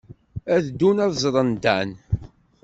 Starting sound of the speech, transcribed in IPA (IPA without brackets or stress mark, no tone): æ